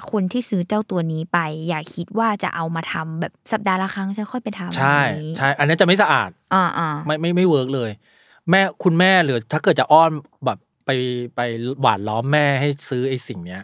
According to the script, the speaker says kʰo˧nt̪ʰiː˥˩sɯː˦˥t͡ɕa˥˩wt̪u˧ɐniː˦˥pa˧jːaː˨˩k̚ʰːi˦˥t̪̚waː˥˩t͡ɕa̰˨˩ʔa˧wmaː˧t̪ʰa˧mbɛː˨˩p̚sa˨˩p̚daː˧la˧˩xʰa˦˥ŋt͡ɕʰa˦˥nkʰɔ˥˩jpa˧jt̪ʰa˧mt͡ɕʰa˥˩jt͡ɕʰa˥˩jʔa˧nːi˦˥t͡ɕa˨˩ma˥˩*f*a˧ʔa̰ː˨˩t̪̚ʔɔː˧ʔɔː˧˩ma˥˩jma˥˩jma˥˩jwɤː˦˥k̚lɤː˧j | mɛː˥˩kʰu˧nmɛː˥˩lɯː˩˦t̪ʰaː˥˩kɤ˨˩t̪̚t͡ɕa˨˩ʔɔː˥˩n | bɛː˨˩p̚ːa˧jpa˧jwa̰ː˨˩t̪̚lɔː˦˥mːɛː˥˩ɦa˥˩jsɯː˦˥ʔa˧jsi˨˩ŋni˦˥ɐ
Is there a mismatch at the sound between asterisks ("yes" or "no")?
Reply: yes